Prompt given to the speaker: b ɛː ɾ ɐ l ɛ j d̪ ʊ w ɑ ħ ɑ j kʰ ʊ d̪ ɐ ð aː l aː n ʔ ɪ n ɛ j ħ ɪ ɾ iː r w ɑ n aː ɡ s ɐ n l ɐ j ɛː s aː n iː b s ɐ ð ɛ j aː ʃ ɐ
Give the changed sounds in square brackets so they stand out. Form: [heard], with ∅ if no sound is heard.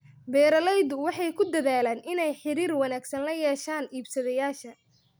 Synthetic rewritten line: b ɛː ɾ ɐ l ɛ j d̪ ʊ w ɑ ħ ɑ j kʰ ʊ d̪ ɐ ð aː l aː n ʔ ɪ n ɛ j ħ ɪ ɾ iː r w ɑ n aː ɡ s ɐ n l ɐ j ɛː [ʃ] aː n iː b s ɐ ð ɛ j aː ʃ ɐ